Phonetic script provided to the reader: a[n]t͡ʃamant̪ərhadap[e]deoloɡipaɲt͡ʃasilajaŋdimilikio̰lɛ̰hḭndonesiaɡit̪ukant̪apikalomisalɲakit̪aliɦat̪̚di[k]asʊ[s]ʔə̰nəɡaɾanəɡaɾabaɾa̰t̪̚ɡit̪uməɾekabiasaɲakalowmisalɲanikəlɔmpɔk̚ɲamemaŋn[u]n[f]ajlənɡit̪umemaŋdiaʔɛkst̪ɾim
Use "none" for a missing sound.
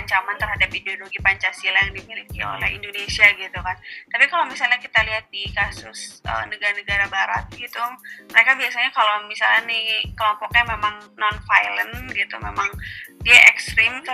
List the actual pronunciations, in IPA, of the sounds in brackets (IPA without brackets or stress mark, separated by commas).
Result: ɲ, i, k, s, ɔ, f